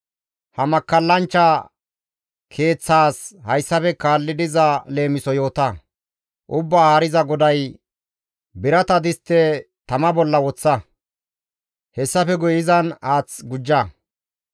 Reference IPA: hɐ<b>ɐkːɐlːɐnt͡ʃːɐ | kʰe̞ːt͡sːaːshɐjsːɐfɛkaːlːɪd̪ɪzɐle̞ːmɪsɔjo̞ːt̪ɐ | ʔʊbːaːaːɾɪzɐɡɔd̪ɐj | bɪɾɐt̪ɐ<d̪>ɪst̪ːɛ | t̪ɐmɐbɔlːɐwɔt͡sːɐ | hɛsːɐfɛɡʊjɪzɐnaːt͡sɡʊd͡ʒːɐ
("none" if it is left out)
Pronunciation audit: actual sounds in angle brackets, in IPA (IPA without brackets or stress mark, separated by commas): m, d̪